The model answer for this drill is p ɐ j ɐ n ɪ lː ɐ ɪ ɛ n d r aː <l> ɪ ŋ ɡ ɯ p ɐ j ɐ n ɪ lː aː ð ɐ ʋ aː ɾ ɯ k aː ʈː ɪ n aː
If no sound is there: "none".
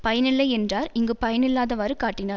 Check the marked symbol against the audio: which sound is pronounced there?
ɾ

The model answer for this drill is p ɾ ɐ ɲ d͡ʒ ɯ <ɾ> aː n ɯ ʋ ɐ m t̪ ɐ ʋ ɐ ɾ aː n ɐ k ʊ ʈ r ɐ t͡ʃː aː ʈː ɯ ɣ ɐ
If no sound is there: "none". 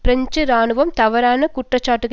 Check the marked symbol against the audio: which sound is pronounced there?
ɾ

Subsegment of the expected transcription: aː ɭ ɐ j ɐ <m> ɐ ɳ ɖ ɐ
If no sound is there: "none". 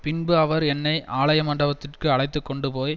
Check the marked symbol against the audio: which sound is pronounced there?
m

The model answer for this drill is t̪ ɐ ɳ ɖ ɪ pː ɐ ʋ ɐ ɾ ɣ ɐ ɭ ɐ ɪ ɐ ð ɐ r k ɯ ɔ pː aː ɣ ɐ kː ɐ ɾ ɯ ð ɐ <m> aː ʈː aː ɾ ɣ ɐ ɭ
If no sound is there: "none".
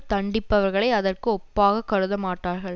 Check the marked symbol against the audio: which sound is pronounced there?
m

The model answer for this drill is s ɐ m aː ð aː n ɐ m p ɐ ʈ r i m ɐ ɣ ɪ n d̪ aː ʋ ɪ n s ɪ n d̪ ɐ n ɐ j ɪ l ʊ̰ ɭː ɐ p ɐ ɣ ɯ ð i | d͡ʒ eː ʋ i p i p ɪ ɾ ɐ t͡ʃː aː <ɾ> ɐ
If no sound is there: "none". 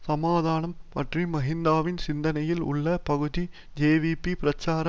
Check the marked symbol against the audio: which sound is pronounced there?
ɾ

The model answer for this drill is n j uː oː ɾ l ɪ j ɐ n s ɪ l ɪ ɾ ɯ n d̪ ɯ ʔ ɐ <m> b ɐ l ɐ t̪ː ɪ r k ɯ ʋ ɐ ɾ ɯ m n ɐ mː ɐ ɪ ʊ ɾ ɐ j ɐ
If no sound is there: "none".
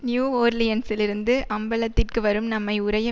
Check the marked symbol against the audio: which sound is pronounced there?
m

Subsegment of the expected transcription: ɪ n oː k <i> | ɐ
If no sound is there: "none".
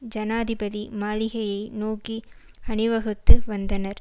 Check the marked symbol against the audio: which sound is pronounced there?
i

